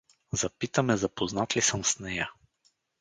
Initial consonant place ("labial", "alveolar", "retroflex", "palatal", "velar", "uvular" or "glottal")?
alveolar